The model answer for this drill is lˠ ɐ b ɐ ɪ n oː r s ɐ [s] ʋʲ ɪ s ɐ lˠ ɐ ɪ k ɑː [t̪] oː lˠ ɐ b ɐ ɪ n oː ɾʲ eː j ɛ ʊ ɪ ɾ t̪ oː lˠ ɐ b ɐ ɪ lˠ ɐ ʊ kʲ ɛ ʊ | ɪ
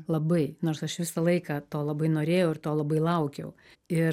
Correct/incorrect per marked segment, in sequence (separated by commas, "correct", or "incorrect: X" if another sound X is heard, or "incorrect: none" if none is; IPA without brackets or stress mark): incorrect: ʃ, correct